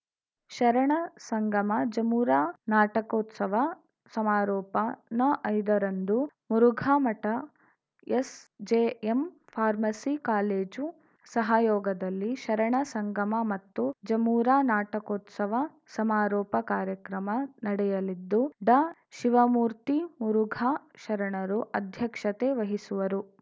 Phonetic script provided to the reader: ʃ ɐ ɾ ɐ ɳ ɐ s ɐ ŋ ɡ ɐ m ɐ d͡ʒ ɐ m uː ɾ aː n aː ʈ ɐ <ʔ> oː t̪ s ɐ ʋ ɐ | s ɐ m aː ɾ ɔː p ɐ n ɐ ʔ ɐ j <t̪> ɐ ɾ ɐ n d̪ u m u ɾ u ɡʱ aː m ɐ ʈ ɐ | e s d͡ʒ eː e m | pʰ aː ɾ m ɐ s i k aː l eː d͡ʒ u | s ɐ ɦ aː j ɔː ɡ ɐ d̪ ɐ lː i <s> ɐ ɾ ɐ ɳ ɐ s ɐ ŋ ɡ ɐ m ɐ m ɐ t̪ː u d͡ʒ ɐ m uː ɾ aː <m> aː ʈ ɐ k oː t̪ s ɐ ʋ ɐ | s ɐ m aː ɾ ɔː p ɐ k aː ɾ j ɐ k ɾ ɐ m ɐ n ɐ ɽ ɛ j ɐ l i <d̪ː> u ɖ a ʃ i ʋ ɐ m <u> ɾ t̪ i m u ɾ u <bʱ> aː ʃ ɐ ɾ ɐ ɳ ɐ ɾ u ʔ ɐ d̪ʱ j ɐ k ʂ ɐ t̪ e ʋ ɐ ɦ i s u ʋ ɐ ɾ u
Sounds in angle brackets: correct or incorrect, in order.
incorrect, incorrect, incorrect, incorrect, correct, incorrect, incorrect

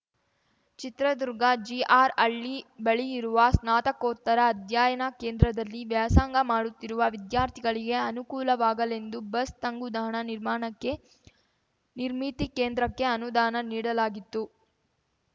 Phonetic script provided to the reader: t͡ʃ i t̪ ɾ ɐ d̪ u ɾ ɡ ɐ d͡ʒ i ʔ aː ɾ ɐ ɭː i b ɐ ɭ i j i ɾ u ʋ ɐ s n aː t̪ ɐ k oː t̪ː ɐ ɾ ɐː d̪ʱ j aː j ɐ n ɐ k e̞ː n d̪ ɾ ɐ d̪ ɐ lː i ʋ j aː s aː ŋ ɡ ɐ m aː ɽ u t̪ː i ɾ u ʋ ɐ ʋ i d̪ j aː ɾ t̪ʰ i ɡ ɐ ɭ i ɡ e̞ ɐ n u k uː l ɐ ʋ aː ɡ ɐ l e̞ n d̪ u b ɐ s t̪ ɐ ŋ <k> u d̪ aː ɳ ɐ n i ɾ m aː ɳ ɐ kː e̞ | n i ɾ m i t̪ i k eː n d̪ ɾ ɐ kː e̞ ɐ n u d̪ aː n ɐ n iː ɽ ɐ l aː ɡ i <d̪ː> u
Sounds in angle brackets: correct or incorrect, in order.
incorrect, incorrect

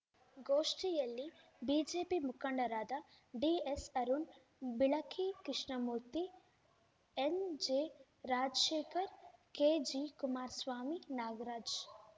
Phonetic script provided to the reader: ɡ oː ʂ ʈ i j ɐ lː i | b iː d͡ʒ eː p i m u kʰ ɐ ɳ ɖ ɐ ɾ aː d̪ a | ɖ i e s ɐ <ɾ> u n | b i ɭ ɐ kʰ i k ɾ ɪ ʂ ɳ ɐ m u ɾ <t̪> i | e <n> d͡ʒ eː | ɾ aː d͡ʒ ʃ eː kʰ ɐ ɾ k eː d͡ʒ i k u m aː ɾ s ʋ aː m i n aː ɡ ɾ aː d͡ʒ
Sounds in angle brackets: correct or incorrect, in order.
correct, correct, correct

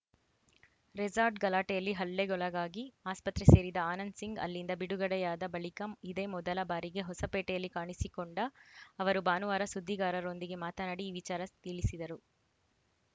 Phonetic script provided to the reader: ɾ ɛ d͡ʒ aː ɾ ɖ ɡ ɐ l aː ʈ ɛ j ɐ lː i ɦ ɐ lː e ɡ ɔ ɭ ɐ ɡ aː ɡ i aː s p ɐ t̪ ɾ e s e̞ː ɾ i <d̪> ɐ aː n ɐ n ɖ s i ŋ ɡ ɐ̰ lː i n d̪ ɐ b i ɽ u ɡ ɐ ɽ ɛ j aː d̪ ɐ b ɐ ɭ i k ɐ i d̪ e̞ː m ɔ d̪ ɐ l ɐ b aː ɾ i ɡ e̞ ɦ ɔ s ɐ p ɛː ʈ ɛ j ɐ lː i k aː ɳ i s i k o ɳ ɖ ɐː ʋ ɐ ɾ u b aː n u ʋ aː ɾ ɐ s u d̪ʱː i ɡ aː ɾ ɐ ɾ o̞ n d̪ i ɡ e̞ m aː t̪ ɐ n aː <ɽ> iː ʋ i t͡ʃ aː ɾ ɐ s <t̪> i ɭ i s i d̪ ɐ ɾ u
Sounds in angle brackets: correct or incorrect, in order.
correct, correct, correct

